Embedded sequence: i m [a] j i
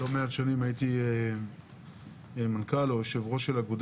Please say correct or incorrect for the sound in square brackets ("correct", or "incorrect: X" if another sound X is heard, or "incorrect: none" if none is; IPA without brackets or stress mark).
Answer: correct